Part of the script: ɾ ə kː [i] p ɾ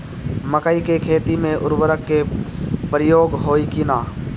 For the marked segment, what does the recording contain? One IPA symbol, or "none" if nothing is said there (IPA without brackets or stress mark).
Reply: e